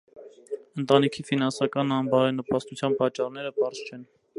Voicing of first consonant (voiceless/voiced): voiced